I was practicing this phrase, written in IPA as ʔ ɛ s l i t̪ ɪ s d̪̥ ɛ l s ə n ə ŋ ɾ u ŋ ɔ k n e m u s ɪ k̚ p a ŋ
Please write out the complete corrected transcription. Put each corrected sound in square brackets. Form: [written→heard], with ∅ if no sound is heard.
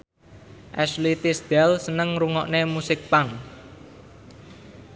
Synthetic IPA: ʔ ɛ s l i t̪ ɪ s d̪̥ ɛ l s ə n ə ŋ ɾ u ŋ ɔ [k→ʔ] n e m u s ɪ k̚ p a ŋ